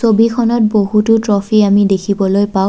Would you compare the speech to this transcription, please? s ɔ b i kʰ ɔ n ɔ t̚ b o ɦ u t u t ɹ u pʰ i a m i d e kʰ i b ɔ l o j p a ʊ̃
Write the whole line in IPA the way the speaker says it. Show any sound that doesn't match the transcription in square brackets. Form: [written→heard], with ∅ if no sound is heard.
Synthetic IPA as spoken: s [ɔ→o] b i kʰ ɔ n ɔ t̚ b o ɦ u t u t ɹ [u→ɔ] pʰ i a m i d e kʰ i b ɔ l o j p a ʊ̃